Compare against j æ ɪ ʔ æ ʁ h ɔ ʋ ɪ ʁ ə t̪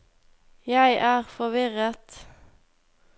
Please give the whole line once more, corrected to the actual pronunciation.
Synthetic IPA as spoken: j æ ɪ ʔ æː ʁ f ɔ ʋ ɪ ʁ ə t̪